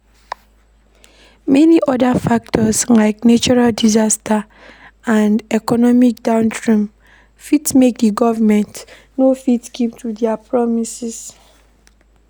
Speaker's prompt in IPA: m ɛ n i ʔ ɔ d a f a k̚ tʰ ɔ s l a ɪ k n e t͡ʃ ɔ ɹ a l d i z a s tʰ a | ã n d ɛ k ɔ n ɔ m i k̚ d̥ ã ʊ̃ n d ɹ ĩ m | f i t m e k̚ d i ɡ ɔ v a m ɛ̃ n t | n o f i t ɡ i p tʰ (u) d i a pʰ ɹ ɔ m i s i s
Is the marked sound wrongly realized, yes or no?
no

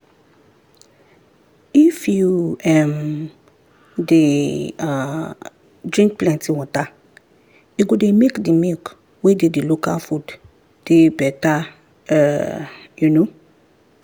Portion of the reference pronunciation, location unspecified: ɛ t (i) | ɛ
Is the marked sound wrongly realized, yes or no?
yes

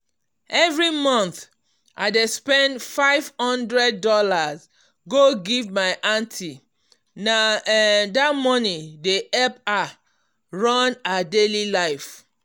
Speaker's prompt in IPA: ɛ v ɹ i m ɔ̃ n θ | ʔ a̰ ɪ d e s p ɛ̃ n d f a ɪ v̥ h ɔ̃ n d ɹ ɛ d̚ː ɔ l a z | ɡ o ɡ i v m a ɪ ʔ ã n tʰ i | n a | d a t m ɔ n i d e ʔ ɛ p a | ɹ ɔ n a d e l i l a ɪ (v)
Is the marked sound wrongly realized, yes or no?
yes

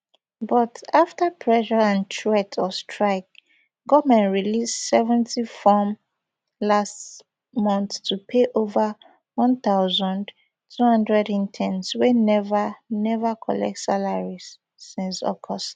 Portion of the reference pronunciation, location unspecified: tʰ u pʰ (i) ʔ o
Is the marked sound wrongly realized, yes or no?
yes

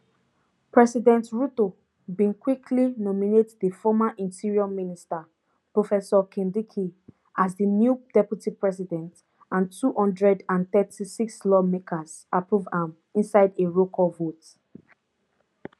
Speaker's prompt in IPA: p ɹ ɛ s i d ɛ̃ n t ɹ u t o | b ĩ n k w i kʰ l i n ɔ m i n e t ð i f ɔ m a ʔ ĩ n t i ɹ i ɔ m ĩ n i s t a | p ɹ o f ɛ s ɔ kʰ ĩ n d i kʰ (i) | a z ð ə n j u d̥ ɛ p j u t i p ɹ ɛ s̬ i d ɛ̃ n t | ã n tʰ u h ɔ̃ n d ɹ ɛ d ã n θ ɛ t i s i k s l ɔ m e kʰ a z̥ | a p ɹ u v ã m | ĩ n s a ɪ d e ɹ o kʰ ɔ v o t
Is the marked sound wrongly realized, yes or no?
no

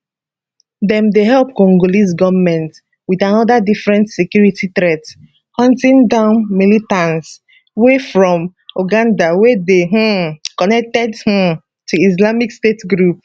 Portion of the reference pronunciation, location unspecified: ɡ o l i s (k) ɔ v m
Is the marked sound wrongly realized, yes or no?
yes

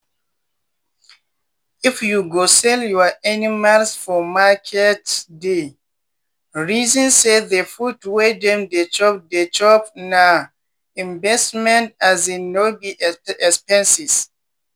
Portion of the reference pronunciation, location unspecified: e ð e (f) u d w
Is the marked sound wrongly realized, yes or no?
no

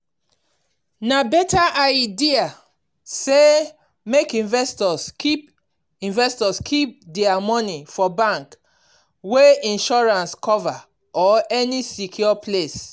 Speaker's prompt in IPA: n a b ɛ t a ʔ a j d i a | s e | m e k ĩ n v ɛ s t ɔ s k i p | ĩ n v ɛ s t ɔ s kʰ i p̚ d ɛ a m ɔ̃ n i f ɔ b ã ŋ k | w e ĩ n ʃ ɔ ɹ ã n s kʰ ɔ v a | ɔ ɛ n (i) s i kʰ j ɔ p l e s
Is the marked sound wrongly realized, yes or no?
no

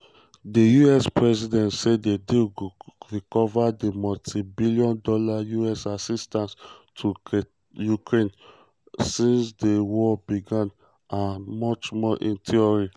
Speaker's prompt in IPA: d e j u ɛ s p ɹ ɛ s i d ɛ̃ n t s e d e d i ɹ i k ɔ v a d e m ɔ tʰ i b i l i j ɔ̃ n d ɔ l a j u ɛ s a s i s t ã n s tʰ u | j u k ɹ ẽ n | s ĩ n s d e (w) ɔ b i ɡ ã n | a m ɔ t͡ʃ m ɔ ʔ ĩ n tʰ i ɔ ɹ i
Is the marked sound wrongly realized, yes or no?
no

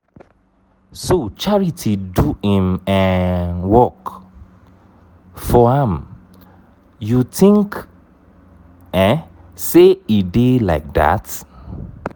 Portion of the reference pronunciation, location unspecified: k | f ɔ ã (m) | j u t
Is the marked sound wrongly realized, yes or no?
no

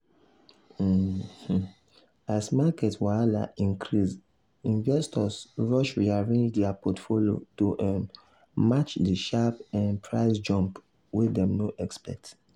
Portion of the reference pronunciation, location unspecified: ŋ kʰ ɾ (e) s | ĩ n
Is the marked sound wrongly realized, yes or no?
yes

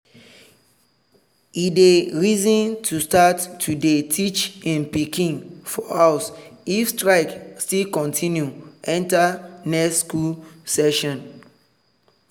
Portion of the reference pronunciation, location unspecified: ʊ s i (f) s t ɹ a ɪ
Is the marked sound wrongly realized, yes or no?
no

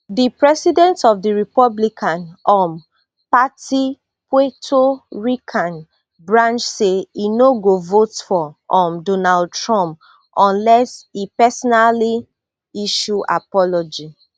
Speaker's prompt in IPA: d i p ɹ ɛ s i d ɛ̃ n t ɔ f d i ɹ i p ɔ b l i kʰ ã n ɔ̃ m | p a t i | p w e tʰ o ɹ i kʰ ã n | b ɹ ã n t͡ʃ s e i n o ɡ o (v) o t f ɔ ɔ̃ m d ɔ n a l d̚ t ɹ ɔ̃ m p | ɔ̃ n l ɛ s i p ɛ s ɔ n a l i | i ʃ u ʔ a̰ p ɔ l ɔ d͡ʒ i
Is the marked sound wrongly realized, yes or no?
no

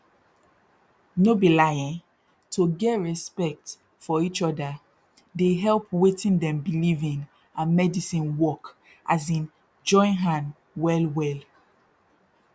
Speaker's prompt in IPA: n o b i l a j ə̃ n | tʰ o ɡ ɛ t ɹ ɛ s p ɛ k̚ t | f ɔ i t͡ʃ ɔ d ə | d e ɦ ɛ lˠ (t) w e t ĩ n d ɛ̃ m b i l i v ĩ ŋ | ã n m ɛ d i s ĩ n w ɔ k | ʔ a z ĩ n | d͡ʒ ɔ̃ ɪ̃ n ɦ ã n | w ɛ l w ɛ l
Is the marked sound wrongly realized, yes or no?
yes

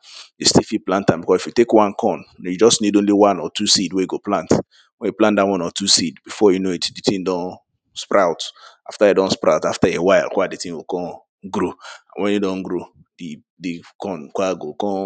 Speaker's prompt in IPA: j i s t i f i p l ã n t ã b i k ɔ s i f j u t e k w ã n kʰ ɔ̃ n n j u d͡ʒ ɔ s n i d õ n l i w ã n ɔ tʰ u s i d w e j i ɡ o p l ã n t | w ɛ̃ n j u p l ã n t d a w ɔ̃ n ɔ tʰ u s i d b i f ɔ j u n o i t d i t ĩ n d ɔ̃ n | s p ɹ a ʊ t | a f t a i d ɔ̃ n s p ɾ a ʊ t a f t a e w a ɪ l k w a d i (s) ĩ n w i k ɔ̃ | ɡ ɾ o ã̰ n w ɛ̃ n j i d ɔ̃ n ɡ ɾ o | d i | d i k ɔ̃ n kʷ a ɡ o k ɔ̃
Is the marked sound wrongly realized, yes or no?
yes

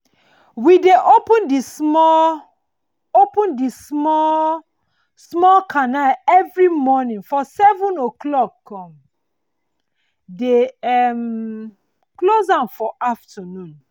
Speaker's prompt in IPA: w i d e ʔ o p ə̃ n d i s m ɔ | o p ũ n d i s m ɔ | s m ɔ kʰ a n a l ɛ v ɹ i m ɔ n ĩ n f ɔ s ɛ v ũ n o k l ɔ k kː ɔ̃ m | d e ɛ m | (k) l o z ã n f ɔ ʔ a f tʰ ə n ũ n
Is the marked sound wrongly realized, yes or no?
no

